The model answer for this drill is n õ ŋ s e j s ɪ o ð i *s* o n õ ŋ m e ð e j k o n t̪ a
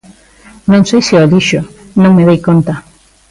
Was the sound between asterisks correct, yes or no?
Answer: no